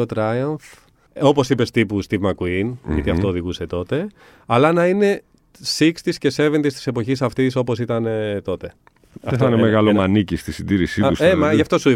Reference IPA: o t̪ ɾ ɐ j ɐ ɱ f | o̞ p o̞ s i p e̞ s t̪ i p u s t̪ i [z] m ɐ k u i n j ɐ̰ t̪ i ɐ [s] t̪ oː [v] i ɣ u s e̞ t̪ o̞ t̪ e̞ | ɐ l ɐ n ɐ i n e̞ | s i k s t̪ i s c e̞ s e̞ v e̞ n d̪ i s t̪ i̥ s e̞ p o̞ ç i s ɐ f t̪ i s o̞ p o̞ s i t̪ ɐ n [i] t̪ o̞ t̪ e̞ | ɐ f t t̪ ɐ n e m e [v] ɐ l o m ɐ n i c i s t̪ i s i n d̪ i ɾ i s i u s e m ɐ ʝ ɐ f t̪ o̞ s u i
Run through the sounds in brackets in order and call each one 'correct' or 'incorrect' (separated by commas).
incorrect, incorrect, incorrect, incorrect, incorrect